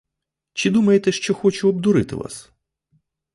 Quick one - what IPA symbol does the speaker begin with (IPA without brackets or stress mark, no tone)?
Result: t͡ʃ